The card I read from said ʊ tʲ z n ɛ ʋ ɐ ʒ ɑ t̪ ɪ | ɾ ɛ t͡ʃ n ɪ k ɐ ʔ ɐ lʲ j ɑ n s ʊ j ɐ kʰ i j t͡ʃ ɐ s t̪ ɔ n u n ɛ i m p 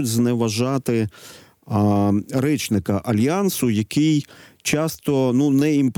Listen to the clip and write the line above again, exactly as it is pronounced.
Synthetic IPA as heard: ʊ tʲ z n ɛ ʋ ɐ ʒ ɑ t̪ ɪ | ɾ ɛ t͡ʃ n ɪ k ɐ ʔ ɐ lʲ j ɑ n s ʊ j ɐ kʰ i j t͡ʃ ɑ s t̪ ɔ n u n ɛ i m p